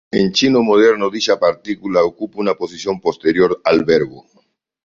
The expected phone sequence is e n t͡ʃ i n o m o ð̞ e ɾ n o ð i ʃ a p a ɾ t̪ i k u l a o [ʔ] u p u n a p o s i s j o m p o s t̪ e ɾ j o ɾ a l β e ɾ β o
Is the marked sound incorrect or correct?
incorrect